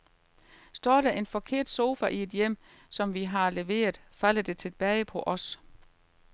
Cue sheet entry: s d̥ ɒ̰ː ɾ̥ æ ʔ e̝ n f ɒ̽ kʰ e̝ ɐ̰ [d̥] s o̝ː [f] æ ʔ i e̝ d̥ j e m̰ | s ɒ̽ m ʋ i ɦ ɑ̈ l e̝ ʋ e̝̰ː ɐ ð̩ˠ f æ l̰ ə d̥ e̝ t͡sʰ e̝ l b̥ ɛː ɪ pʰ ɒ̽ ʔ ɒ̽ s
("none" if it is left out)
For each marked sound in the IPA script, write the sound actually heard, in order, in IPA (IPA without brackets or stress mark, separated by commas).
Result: d̥, f